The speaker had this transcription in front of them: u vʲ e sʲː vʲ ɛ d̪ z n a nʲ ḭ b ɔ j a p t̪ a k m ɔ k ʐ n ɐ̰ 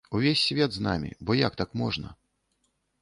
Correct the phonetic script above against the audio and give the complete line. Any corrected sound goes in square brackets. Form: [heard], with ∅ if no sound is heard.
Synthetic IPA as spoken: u vʲ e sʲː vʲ ɛ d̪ z n a [mʲ] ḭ b ɔ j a [k] t̪ a k m ɔ [∅] ʐ n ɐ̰